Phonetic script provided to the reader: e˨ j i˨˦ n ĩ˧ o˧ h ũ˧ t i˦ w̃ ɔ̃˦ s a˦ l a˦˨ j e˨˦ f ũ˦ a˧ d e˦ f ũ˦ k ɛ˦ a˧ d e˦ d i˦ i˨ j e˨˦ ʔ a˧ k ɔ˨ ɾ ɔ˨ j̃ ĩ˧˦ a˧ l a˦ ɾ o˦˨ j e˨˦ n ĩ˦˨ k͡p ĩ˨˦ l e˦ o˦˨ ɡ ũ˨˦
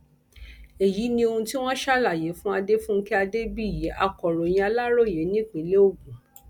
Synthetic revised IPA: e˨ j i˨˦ n ĩ˧ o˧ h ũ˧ t i˦ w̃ ɔ̃˦ ʃ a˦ l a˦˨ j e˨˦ f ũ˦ a˧ d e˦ f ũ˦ k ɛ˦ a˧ d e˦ b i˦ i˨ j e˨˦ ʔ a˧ k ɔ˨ ɾ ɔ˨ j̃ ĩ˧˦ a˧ l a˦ ɾ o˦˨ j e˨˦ n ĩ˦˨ k͡p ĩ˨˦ l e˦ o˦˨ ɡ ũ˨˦